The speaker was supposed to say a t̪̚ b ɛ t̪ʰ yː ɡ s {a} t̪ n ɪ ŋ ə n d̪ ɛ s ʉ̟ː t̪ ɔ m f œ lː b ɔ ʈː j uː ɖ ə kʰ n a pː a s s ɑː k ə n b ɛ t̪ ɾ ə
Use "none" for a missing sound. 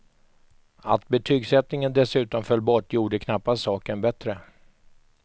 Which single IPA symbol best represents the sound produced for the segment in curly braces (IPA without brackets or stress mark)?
ɛ